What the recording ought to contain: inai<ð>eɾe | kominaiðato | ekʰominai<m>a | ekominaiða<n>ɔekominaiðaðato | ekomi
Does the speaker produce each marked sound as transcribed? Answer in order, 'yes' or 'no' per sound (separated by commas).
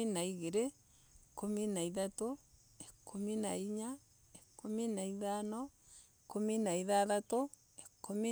no, no, yes